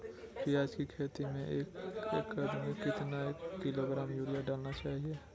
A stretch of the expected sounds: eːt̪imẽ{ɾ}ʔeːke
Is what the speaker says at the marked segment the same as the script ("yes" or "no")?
no